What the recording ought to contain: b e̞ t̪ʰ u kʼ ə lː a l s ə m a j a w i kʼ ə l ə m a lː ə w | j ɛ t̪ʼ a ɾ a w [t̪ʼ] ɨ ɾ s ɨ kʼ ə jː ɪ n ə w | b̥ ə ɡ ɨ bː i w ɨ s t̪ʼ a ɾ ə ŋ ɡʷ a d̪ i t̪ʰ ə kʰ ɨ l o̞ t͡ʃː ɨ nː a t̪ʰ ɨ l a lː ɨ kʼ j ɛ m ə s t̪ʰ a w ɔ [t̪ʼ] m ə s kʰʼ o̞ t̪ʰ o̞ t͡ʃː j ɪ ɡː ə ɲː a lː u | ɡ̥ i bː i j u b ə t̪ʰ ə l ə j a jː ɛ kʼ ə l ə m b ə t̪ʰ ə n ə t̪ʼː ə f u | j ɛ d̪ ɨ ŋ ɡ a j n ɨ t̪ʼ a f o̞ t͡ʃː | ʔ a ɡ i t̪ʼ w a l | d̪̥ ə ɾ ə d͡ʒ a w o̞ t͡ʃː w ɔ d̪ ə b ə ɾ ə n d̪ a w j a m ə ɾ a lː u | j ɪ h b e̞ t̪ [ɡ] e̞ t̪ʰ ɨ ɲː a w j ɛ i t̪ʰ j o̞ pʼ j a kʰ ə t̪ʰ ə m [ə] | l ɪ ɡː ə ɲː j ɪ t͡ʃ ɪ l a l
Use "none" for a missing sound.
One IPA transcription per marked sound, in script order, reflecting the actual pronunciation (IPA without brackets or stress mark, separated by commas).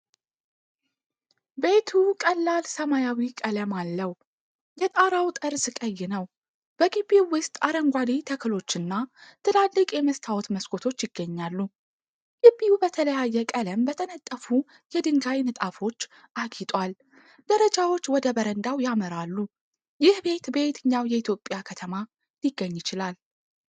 t̪ʼ, t̪, b, a